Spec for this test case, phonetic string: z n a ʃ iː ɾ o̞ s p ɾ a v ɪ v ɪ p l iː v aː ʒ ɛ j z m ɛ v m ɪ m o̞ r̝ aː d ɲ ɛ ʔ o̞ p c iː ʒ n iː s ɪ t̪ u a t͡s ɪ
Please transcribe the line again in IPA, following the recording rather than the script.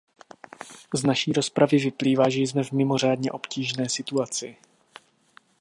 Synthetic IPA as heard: z n a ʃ iː ɾ o̞ s p ɾ a v ɪ v ɪ p l iː v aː ʒ ɛ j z m ɛ v m ɪ m o̞ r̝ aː d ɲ ɛ ʔ o̞ p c iː ʒ n ɛː s ɪ t̪ u a t͡s ɪ

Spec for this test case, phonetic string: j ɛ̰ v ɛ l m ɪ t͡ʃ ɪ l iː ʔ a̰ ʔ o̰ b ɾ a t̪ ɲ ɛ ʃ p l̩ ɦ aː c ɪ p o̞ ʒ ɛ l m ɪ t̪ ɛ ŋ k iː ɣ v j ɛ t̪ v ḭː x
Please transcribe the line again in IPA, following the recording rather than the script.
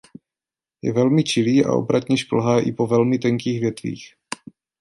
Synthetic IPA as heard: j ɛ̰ v ɛ l m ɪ t͡ʃ ɪ l iː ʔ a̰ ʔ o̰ b ɾ a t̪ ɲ ɛ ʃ p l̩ ɦ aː ʔ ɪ p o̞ v ɛ l m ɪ t̪ ɛ ŋ k iː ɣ v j ɛ t̪ v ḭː x

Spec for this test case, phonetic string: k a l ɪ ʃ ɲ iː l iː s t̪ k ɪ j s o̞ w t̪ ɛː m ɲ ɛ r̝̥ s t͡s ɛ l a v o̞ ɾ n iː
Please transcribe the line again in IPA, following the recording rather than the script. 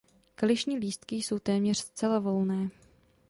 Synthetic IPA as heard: k a l ɪ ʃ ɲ iː l iː s t̪ k ɪ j s o̞ w t̪ ɛː m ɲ ɛ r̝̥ s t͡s ɛ l a v o̞ l n ɛː

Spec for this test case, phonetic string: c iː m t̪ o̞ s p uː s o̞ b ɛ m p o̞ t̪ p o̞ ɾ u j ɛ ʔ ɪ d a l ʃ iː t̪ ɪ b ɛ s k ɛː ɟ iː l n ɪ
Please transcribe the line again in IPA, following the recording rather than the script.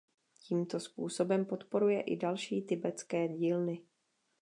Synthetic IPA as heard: c iː m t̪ o̞ s p uː s o̞ b ɛ m p o̞ t̪ p o̞ ɾ u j ɛ ʔ ɪ d a l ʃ iː t̪ ɪ b ɛ t͡s k ɛː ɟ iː l n ɪ

